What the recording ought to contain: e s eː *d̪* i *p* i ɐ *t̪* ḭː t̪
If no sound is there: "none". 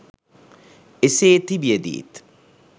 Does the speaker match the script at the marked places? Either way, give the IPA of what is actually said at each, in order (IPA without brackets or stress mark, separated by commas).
t̪, b, d̪